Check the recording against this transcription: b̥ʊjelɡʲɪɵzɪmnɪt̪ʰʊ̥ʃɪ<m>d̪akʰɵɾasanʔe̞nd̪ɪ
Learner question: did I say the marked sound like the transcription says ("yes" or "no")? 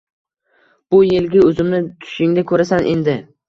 no